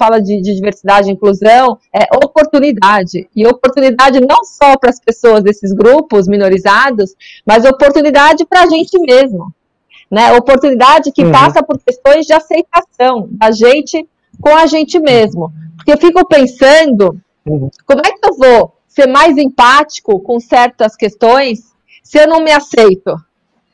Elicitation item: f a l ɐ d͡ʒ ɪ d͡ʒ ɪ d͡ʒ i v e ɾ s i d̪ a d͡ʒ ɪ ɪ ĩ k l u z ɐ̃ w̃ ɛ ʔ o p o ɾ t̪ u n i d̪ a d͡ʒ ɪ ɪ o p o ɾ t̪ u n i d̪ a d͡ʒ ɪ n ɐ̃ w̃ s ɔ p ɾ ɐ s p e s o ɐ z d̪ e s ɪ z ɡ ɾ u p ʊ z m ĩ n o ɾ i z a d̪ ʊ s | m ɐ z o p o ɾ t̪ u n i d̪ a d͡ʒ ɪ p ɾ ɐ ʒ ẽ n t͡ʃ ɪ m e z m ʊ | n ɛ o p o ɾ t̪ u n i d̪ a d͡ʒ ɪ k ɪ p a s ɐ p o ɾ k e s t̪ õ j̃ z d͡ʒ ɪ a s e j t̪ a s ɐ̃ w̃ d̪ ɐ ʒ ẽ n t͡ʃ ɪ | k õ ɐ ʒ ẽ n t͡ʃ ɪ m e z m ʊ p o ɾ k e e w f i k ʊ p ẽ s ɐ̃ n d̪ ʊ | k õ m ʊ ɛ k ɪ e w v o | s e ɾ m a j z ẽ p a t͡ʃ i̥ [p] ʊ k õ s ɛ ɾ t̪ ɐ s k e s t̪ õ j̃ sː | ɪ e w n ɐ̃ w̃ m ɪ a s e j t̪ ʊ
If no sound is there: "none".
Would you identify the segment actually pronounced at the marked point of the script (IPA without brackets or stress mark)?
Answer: k